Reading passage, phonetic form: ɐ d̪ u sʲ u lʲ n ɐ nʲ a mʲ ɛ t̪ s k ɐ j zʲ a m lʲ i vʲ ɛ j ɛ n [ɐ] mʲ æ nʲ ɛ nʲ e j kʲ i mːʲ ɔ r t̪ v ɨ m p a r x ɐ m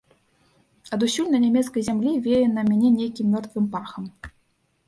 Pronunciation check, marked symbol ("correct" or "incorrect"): correct